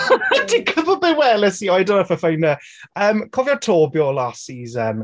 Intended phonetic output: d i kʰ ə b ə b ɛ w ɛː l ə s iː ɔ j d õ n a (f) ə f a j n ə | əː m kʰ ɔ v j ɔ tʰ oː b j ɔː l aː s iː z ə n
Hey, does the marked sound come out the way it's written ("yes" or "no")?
yes